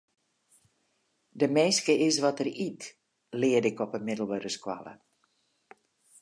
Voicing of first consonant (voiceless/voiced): voiced